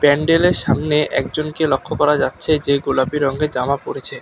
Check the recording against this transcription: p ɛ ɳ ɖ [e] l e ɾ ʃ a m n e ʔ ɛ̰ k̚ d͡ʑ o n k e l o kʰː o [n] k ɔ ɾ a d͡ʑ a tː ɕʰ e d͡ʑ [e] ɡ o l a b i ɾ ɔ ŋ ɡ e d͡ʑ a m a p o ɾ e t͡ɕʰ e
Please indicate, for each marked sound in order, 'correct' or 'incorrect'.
correct, incorrect: none, correct

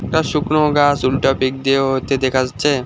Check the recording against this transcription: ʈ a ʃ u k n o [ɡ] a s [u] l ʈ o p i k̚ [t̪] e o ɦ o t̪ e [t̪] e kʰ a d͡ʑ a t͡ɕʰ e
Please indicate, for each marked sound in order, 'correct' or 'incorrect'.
correct, correct, incorrect: d̪, incorrect: d̪

